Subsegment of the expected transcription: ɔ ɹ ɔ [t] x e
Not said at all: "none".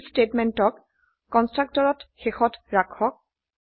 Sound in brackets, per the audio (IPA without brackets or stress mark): t